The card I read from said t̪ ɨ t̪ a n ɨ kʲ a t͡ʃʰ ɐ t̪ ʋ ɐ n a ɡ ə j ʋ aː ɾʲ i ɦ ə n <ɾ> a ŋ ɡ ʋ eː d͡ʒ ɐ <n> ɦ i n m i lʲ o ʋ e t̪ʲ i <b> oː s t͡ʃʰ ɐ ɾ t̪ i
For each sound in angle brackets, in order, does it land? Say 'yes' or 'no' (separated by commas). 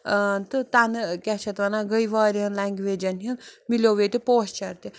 no, yes, no